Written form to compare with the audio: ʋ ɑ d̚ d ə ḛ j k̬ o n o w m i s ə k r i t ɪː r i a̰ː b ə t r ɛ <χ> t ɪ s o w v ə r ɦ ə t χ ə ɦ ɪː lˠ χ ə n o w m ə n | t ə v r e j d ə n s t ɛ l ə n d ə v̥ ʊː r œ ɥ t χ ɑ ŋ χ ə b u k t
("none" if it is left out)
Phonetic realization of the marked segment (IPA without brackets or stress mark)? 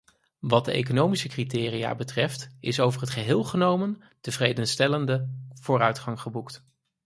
f